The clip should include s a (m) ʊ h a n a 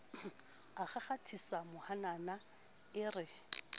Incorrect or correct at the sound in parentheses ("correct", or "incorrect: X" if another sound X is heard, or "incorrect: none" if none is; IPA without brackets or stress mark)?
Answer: correct